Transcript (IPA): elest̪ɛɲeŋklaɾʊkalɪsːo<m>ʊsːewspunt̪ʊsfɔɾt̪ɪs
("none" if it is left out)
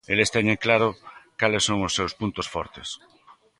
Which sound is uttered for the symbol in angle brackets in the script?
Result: ŋ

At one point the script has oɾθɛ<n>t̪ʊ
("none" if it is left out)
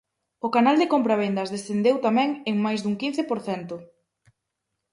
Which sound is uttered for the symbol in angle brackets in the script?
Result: n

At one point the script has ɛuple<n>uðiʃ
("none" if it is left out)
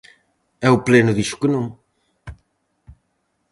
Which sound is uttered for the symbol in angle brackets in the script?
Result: n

